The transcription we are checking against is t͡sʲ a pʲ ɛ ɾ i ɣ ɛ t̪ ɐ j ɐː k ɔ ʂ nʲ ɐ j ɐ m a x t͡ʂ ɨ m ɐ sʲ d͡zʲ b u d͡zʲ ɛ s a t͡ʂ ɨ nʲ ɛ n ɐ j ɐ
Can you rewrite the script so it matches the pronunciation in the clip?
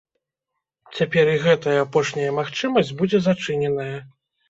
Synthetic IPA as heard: t͡sʲ a pʲ ɛ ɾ i ɣ ɛ t̪ ɐ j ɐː p ɔ ʂ nʲ ɐ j ɐ m a x t͡ʂ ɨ m ɐ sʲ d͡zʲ b u d͡zʲ ɛ z a t͡ʂ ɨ nʲ ɛ n ɐ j ɐ

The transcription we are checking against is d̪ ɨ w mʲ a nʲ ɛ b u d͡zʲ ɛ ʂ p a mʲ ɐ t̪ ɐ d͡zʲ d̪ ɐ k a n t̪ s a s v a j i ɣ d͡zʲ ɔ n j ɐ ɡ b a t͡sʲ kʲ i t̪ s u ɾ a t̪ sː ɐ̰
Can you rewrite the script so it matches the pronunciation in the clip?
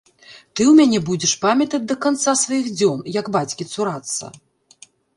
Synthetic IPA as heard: t̪ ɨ w mʲ a nʲ ɛ b u d͡zʲ ɛ ʂ p a mʲ ɐ t̪ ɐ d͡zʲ d̪ ɐ k a n t̪ s a s v a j i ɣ d͡zʲ ɔ n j ɐ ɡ b a t͡sʲ kʲ i t̪ s u ɾ a t̪ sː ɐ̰

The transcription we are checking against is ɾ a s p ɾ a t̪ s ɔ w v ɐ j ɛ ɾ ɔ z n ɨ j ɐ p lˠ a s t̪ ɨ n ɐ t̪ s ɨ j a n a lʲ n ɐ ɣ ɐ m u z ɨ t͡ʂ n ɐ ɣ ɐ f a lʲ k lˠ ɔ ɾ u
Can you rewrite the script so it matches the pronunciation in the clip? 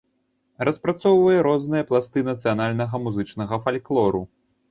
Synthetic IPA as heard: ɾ ɐ s p ɾ a t̪ s ɔ w v ɐ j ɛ ɾ ɔ z n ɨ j ɐ p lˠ a s t̪ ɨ n ɐ t̪ s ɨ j a n a lʲ n ɐ ɣ ɐ m u z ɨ t͡ʂ n ɐ ɣ ɐ f a lʲ k lˠ ɔ ɾ u

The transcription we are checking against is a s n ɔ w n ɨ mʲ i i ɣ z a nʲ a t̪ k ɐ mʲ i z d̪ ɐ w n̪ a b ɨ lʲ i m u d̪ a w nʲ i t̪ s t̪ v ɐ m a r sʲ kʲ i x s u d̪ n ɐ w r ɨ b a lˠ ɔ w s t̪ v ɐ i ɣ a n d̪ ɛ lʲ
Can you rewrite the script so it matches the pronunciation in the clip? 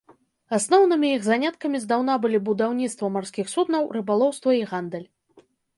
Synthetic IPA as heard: a s n ɔ w n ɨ mʲ i i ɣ z a nʲ a t̪ k ɐ mʲ i z d̪ a w n̪ a b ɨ lʲ i b u d̪ a w nʲ i t̪ s t̪ v ɐ m a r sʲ kʲ i x s u d̪ n ɐ w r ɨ b a lˠ ɔ w s t̪ v ɐ i ɣ a n d̪ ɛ lʲ

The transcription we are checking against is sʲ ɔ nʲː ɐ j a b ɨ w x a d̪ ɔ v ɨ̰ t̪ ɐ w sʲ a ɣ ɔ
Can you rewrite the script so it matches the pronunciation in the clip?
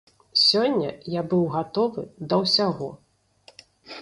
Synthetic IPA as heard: sʲ ɔ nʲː ɐ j a b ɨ w ɣ a t̪ ɔ v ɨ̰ d̪ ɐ w sʲ a ɣ ɔ

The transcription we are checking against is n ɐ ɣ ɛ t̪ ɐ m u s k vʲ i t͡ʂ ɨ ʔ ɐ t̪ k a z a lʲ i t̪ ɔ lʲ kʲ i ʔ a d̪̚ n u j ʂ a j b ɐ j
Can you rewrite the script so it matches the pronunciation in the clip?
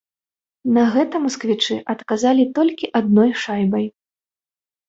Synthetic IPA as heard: n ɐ ɣ ɛ t̪ ɐ m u s k vʲ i t͡ʂ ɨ ʔ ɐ t̪ k a z a lʲ i t̪ ɔ lʲ kʲ i ʔ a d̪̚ n ɔ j ʂ a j b ɐ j

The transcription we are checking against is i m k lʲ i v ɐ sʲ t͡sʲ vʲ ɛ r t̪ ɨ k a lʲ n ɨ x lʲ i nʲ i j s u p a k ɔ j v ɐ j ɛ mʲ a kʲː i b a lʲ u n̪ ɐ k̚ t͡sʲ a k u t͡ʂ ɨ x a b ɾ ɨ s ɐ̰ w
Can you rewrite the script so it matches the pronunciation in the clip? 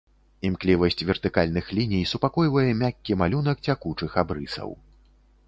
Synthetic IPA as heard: i m k lʲ i v ɐ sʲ t͡sʲ vʲ ɛ r t̪ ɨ k a lʲ n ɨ x lʲ i nʲ i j s u p a k ɔ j v ɐ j ɛ mʲ a kʲː i m a lʲ u n̪ ɐ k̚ t͡sʲ a k u t͡ʂ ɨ x a b ɾ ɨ s ɐ̰ w

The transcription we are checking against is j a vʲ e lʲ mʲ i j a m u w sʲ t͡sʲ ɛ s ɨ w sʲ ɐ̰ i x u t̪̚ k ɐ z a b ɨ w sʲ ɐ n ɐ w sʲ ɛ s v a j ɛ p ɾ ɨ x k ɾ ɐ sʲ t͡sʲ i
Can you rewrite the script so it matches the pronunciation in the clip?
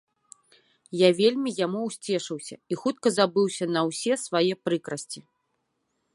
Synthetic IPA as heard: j a vʲ e lʲ mʲ i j a m u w sʲ t͡sʲ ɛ ʂ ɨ w sʲ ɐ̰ i x u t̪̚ k ɐ z a b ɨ w sʲ ɐ n ɐ w sʲ ɛ s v a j ɛ p ɾ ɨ k ɾ ɐ sʲ t͡sʲ i

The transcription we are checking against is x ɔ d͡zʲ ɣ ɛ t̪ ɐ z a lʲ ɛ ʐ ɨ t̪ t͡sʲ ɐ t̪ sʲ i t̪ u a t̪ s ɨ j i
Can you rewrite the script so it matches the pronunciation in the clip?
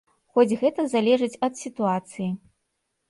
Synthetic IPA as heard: x ɔ d͡zʲ ɣ ɛ t̪ ɐ z a lʲ ɛ ʐ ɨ t͡sʲ ɐ t̪ sʲ i t̪ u a t̪ s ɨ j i

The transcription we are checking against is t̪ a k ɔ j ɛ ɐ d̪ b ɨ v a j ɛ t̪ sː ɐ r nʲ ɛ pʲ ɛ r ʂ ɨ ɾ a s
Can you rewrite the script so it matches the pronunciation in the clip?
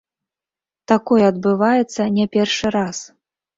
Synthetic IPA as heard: t̪ a k ɔ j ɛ ɐ d̪ b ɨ v a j ɛ t̪ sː ɐ nʲ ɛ pʲ ɛ r ʂ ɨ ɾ a s

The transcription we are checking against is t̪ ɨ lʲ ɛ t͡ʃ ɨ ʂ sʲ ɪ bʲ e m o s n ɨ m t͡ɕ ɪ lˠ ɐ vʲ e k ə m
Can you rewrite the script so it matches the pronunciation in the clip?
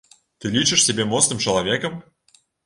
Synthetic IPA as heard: t̪ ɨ lʲ i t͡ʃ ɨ ʂ sʲ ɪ bʲ e m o s n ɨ m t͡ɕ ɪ lˠ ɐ vʲ e k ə m

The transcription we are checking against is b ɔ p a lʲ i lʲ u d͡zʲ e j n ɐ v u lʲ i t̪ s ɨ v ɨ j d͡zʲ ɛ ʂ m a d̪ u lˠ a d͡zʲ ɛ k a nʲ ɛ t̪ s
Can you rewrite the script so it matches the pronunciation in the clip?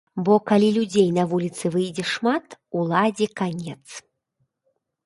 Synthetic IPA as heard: b ɔ k a lʲ i lʲ u d͡zʲ e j n ɐ v u lʲ i t̪ s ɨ v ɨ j d͡zʲ ɛ ʂ m a t̪ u lˠ a d͡zʲ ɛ k a nʲ ɛ t̪ s

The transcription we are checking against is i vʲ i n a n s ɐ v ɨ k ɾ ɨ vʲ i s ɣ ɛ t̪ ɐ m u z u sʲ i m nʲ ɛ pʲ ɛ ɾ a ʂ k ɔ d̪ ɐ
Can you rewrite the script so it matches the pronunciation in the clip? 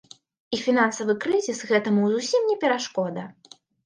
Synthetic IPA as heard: i fʲ i n a n s ɐ v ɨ k ɾ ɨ zʲ i s ɣ ɛ t̪ ɐ m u z u sʲ i m nʲ ɛ pʲ ɛ ɾ a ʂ k ɔ d̪ ɐ

